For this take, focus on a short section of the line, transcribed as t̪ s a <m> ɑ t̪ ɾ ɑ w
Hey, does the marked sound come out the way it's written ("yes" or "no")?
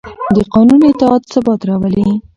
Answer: no